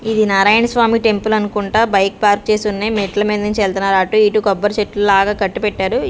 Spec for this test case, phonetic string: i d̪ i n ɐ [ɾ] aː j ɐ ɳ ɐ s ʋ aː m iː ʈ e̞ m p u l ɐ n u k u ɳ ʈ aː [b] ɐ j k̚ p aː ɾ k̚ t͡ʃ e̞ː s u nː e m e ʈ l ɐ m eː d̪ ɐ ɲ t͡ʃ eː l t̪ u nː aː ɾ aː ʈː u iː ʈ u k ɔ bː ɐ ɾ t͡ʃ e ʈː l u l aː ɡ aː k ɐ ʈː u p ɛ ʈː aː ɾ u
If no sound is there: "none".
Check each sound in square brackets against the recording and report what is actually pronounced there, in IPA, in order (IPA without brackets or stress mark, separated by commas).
ɾ, b